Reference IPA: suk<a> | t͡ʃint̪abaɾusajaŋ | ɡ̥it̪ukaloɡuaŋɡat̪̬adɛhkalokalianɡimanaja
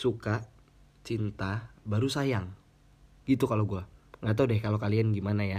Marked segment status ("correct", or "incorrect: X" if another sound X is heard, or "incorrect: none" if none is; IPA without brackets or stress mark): correct